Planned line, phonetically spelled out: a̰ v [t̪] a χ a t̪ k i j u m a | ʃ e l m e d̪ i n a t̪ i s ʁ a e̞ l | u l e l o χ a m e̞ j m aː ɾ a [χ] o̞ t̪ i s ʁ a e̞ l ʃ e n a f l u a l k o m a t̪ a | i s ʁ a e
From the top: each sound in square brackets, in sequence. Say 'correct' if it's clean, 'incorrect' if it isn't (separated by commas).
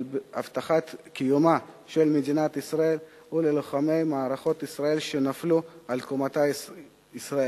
correct, correct